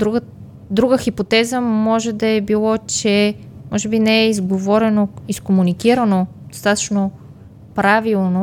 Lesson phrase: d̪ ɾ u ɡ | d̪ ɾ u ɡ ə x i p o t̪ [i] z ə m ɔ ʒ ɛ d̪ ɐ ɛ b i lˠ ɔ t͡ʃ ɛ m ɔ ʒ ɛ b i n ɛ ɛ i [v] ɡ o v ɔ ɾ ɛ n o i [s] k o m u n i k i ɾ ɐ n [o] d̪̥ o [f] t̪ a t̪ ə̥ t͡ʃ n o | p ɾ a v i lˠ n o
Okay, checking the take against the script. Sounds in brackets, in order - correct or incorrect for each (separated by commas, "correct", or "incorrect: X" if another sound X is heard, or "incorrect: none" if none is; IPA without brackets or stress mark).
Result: incorrect: ɛ, incorrect: z, correct, correct, incorrect: s